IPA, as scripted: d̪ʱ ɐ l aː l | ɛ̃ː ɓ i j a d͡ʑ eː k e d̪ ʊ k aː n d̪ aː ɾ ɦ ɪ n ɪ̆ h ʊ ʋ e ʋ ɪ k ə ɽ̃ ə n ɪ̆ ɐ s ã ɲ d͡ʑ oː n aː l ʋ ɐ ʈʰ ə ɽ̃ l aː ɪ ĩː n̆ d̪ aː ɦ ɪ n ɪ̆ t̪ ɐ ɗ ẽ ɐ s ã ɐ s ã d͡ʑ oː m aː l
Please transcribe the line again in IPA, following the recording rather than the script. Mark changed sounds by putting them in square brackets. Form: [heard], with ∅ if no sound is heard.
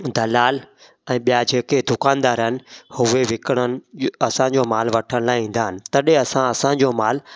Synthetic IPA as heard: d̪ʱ ɐ l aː l | ɛ̃ː ɓ i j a d͡ʑ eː k e d̪ ʊ k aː n d̪ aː ɾ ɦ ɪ n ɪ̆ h ʊ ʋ e ʋ ɪ k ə ɽ̃ ə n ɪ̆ ɐ s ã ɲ d͡ʑ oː [m] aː l ʋ ɐ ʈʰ ə ɽ̃ l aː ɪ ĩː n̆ d̪ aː ɦ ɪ n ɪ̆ t̪ ɐ ɗ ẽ ɐ s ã ɐ s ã d͡ʑ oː m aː l

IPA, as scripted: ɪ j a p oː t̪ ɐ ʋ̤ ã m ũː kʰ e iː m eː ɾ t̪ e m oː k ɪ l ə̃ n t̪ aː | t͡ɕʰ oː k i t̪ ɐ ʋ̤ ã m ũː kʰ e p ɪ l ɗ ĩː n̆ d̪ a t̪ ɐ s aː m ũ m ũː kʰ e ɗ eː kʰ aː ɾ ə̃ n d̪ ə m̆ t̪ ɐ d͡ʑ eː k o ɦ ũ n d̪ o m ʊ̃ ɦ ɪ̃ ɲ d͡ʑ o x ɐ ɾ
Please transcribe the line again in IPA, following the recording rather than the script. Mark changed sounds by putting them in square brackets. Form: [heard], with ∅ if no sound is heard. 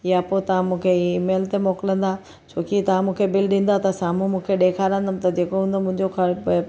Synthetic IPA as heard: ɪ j a p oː t̪ ɐ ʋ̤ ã m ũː kʰ e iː m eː [l] t̪ e m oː k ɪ l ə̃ n [d̪] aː | t͡ɕʰ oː k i t̪ ɐ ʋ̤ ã m ũː kʰ e [b] ɪ l ɗ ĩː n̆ d̪ a t̪ ɐ s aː m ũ m ũː kʰ e ɗ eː kʰ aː ɾ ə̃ n d̪ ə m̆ t̪ ɐ d͡ʑ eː k o ɦ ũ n d̪ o m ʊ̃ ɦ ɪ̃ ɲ d͡ʑ o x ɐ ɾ

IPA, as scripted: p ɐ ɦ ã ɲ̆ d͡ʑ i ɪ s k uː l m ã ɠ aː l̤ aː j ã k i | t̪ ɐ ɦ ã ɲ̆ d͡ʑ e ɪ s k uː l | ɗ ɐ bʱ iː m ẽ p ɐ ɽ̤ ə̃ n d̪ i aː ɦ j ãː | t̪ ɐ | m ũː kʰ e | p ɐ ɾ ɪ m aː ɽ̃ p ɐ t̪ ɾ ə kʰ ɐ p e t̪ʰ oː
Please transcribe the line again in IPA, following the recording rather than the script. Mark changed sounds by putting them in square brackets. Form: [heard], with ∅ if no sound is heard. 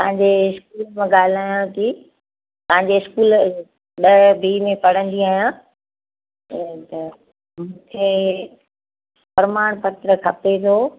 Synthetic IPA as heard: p ɐ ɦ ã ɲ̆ d͡ʑ [e] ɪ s k uː l m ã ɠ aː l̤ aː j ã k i | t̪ ɐ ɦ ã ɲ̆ d͡ʑ e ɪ s k uː l | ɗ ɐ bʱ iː m ẽ p ɐ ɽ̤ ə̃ n d̪ i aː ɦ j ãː | t̪ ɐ | m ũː kʰ e | p ɐ ɾ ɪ m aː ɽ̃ p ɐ t̪ ɾ ə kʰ ɐ p e t̪ʰ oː

